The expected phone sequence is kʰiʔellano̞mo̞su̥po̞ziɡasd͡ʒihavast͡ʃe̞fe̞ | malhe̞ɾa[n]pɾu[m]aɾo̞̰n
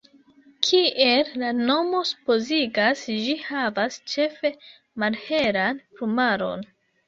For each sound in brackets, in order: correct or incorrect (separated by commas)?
correct, correct